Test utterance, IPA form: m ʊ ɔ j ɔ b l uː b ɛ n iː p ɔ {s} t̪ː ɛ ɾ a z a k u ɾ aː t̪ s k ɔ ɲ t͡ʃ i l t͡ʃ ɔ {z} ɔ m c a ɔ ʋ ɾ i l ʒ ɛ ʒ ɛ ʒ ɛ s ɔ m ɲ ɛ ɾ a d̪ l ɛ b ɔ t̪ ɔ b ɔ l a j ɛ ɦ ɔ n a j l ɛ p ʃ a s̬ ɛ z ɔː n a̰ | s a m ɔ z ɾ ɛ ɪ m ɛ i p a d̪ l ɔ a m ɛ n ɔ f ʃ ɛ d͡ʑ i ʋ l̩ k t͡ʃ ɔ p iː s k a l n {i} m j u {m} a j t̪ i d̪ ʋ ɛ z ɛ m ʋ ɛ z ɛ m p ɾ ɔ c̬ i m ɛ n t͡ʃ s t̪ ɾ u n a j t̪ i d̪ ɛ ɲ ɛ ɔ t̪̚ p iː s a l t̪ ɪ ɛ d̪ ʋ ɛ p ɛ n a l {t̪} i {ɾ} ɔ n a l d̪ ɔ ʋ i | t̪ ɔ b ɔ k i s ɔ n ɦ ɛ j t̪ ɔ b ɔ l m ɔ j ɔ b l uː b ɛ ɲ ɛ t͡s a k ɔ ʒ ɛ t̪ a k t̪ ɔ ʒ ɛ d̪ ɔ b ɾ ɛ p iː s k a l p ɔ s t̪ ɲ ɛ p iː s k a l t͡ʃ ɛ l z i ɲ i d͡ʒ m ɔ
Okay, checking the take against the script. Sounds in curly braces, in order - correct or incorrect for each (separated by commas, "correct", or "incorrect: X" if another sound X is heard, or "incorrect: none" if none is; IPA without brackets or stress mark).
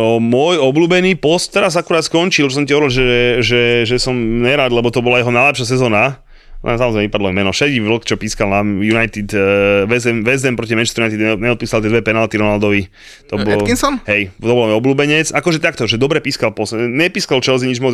correct, incorrect: s, incorrect: a, incorrect: n, correct, correct